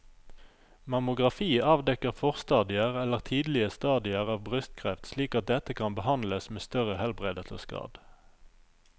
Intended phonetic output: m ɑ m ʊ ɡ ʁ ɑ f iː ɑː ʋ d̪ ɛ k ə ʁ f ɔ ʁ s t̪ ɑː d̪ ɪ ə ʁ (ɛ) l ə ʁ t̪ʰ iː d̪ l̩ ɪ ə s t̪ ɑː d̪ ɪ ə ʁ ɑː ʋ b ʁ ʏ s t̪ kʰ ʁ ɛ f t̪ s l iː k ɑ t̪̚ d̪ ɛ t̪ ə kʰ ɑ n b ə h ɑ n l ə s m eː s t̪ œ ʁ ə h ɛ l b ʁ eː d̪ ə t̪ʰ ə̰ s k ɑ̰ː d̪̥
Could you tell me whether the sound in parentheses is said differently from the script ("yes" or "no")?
no